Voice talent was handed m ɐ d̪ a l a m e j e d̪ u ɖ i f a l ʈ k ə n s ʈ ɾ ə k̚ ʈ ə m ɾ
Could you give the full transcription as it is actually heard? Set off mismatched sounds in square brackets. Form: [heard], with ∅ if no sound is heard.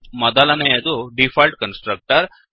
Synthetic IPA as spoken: m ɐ d̪ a l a [n] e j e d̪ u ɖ i f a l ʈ k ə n s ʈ ɾ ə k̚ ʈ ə [∅] ɾ